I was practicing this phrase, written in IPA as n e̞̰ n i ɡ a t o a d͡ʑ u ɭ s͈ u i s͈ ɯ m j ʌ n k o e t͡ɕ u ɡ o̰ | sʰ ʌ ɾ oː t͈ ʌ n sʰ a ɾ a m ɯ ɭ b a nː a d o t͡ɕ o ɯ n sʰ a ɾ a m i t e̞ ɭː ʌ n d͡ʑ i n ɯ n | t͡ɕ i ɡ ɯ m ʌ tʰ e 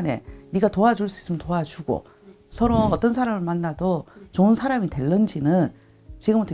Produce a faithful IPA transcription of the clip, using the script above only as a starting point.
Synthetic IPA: n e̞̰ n i ɡ a t o a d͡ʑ u ɭ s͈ u i s͈ ɯ m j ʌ n t o a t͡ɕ u ɡ o̰ | sʰ ʌ ɾ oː t͈ ʌ n sʰ a ɾ a m ɯ ɭ m a nː a d o t͡ɕ o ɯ n sʰ a ɾ a m i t e̞ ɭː ʌ n d͡ʑ i n ɯ n | t͡ɕ i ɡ ɯ m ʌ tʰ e